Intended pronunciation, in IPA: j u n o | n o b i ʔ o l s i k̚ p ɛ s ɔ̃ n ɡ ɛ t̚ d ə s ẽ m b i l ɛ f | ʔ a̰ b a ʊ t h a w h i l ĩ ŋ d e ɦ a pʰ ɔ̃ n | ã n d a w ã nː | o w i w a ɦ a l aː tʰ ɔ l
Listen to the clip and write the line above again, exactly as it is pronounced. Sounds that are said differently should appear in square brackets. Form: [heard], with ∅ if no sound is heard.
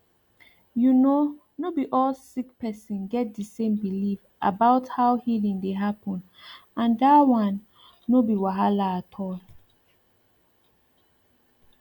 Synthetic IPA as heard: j u n o | n o b i ʔ [ɔ] l s i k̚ p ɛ s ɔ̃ n ɡ ɛ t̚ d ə s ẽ m b i l [i] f | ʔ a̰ b a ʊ t h a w h i l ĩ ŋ d e ɦ a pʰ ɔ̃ n | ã n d a w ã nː | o [b] i w a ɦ a l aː tʰ ɔ l